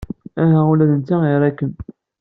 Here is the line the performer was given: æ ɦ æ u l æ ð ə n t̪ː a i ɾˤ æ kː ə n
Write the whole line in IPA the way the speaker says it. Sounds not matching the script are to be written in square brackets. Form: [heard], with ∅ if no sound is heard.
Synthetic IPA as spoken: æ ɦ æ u l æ ð ə n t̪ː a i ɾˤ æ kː ə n